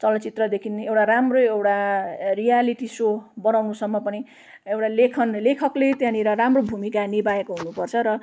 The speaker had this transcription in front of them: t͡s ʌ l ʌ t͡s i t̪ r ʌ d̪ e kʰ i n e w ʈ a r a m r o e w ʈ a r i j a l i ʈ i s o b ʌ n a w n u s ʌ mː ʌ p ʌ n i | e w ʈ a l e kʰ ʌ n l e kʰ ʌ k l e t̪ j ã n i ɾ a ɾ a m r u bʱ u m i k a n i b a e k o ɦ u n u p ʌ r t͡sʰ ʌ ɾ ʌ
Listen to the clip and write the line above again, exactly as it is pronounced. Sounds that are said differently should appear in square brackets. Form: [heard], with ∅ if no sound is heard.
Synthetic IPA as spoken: t͡s ʌ l ʌ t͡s i t̪ r ʌ d̪ e kʰ i n e w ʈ a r a m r o e w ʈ a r i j a l i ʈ i s o b ʌ n a w n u s ʌ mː ʌ p ʌ n i | e w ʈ a l e kʰ ʌ n l e kʰ ʌ k l e t̪ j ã n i ɾ [ʌ] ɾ a m r [o] bʱ u m i k a n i b a e k o ɦ u n u p ʌ r t͡sʰ ʌ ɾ ʌ